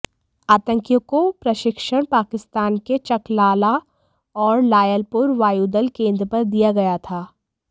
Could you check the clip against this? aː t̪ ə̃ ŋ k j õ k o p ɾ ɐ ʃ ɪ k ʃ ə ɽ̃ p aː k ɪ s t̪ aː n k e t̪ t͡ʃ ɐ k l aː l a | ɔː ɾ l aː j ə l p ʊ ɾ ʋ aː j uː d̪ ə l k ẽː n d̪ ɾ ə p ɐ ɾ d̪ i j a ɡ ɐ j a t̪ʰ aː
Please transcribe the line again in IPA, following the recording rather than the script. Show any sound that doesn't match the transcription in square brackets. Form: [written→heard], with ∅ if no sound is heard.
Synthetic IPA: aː t̪ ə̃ ŋ k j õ k o p ɾ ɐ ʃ ɪ k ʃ ə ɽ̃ p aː k ɪ s t̪ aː n k e [t̪→∅] t͡ʃ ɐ k l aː l a | ɔː ɾ l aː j ə l p ʊ ɾ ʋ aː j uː d̪ ə l k ẽː n d̪ ɾ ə p ɐ ɾ d̪ i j a ɡ ɐ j a t̪ʰ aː